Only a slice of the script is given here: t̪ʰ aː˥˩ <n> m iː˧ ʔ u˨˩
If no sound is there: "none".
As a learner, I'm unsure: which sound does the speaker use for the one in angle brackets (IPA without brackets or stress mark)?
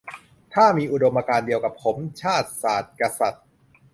none